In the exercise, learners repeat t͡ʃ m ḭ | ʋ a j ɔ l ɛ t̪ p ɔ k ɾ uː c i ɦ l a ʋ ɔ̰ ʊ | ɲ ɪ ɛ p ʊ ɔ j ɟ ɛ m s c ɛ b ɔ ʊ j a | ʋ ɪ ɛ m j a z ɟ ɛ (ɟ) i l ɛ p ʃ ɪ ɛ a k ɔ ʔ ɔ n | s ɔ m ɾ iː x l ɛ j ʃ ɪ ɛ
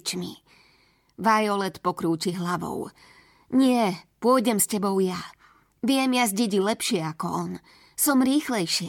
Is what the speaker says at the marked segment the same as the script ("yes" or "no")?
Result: yes